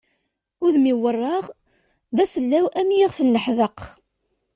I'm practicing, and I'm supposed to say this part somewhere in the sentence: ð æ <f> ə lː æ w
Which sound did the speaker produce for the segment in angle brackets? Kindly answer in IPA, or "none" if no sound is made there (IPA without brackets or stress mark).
s